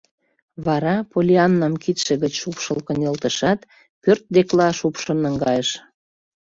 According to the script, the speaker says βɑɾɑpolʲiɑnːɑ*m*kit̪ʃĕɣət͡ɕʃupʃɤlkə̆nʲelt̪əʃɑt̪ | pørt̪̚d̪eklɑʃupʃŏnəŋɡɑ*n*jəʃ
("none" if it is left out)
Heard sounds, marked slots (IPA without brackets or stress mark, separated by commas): m, none